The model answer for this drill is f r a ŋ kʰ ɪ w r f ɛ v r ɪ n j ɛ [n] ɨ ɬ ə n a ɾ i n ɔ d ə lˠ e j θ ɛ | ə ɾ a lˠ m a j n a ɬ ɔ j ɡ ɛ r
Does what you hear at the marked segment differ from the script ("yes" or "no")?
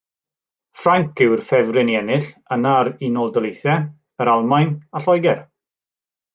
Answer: no